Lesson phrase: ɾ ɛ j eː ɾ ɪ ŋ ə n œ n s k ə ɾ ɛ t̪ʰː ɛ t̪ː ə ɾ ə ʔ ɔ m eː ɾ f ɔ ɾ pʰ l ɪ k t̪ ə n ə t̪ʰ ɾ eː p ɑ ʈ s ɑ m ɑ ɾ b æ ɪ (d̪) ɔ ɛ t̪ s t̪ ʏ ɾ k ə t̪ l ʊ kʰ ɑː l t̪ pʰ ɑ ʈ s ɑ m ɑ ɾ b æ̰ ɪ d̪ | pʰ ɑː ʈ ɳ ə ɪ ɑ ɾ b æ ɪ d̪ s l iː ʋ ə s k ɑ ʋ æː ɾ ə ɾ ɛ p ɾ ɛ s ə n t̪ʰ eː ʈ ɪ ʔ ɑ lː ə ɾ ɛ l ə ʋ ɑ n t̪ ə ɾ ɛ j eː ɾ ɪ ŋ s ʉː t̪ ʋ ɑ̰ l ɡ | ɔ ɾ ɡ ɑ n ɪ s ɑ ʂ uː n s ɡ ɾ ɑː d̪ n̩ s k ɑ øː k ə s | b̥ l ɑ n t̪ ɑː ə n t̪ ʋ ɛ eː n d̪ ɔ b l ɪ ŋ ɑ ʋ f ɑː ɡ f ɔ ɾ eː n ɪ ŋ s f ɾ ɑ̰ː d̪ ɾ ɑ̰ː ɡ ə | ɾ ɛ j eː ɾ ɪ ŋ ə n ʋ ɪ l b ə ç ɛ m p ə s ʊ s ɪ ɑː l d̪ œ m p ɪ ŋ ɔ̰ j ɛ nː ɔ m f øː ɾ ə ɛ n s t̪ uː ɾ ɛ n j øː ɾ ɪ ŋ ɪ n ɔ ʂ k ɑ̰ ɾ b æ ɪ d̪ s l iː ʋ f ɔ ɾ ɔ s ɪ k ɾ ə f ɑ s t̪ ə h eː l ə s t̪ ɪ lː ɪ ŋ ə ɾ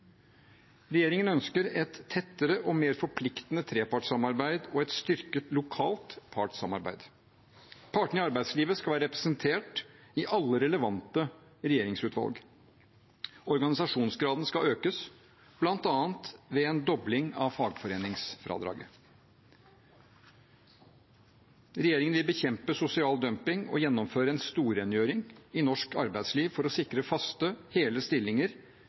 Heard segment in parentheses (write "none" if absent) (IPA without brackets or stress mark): d̪